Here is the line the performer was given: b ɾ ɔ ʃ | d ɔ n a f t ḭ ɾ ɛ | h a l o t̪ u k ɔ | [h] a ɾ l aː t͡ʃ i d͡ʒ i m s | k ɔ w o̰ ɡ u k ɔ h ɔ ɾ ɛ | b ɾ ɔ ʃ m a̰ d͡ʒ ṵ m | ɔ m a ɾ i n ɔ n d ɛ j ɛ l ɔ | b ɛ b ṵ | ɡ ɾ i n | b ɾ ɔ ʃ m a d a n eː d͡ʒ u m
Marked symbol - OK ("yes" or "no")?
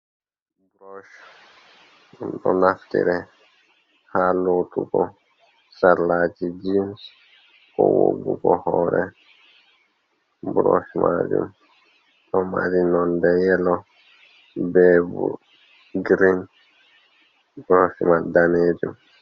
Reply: no